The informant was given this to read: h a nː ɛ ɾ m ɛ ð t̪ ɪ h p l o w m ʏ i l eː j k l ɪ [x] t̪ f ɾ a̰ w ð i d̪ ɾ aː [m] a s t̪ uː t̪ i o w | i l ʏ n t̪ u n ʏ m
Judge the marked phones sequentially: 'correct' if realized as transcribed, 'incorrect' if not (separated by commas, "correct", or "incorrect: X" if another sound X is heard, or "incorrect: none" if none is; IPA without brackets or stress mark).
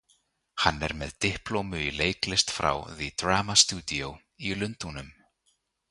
incorrect: s, correct